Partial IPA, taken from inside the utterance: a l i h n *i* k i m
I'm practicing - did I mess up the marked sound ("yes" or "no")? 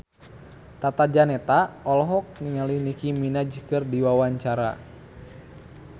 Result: no